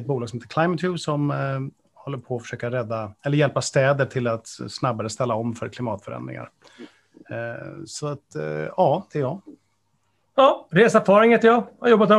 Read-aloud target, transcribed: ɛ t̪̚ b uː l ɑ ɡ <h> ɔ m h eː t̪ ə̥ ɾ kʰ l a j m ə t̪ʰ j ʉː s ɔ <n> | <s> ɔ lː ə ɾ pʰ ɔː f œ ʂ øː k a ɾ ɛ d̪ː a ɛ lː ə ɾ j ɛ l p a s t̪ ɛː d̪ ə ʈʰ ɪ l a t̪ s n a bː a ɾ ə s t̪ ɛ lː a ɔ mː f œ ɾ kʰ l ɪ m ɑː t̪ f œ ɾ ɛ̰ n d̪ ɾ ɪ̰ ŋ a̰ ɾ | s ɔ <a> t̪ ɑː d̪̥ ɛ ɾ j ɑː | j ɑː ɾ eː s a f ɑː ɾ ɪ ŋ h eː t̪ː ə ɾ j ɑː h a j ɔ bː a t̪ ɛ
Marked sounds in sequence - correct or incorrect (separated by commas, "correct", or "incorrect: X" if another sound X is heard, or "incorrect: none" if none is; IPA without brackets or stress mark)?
incorrect: s, incorrect: m, incorrect: h, correct